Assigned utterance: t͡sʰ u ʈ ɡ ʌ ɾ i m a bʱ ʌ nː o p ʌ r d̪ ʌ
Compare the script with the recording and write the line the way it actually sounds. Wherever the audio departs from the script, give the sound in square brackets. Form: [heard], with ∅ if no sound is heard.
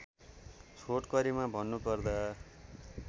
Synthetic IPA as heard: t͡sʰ [o] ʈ [k] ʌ ɾ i m a bʱ ʌ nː [u] p ʌ r d̪ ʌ